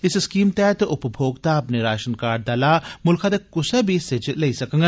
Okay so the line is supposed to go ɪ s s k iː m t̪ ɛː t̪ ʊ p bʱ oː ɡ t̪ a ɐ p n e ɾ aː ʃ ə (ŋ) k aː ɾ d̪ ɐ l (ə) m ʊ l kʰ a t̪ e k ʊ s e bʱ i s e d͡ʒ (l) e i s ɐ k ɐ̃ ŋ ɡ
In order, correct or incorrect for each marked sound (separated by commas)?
incorrect, incorrect, correct